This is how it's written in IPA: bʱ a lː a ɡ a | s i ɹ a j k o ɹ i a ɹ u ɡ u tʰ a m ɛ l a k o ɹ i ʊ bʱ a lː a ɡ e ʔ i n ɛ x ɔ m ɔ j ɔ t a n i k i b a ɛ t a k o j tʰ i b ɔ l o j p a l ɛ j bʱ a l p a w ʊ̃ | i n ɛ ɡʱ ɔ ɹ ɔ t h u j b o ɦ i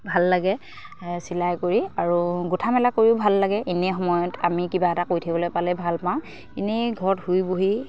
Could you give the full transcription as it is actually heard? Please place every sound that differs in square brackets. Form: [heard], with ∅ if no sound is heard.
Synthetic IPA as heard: bʱ a lː a ɡ [ɛ] | s i [l] a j k o ɹ i a ɹ u ɡ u tʰ a m ɛ l a k o ɹ i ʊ bʱ a lː a ɡ [ɛ] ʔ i n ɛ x ɔ m ɔ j ɔ t a [m] i k i b a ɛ t a k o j tʰ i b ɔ l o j p a l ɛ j bʱ a l p a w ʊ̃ | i n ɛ ɡʱ ɔ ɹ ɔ t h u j b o ɦ i